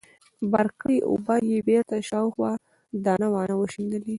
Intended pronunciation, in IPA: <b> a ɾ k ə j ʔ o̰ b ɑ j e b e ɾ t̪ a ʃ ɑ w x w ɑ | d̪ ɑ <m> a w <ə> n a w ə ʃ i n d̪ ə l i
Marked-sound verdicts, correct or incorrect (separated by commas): correct, incorrect, incorrect